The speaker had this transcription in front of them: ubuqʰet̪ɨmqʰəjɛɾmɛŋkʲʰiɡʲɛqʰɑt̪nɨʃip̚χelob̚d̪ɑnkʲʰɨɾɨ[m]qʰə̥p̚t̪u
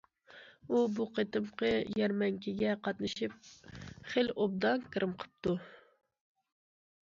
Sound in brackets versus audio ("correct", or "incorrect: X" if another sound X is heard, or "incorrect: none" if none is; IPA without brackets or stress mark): correct